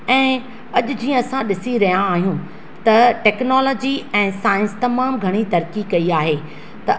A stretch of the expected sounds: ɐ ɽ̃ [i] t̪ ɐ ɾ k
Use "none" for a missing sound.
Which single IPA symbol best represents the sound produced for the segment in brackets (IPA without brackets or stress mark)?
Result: i